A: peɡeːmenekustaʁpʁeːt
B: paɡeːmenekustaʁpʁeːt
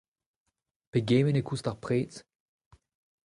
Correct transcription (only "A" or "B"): A